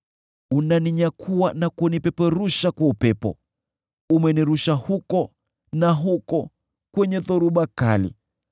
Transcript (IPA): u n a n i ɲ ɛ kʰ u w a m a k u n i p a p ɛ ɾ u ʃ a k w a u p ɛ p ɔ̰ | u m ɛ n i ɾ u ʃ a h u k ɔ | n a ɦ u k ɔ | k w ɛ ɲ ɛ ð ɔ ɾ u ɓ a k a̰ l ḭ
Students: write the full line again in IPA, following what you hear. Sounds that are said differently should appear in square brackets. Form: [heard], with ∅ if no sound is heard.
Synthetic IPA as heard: u n a n i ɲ [a] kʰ u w a [n] a k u n i p [ɛ] p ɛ ɾ u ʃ a k w a u p ɛ p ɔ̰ | u m ɛ n i ɾ u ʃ a h u k ɔ | n a ɦ u k ɔ | k w ɛ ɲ ɛ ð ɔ ɾ u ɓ a k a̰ l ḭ